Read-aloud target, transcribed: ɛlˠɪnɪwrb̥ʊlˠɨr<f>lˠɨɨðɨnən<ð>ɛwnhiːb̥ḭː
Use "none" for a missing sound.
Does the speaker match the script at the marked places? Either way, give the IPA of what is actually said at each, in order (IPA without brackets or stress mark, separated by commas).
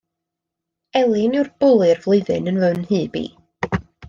v, v